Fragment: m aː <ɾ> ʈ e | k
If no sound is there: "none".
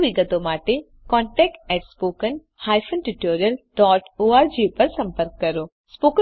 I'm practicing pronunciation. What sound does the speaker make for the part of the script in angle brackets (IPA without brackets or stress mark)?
none